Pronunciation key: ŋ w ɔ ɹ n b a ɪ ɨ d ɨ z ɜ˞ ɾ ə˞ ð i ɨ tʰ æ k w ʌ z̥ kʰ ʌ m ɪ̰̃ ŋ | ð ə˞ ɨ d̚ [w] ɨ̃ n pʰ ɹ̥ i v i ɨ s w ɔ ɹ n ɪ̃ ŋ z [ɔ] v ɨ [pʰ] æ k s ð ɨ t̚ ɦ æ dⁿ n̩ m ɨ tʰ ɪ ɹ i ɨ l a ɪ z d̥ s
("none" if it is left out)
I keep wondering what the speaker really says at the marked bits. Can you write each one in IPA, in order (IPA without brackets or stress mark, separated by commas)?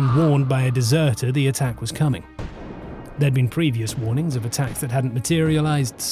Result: b, ʌ, tʰ